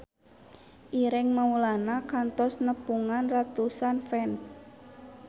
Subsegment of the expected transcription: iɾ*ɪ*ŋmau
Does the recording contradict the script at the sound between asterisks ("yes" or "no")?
no